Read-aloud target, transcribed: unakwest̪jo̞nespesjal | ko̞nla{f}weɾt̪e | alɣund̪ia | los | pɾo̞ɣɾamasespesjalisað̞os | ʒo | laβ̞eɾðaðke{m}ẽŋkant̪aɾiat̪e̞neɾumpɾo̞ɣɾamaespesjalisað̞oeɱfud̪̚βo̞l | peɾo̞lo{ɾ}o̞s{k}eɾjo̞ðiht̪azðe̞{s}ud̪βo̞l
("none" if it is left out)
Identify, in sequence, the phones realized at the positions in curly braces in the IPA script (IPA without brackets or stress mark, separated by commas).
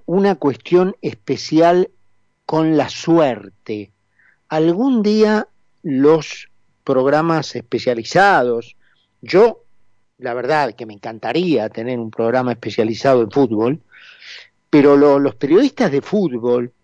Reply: s, m, l, p, f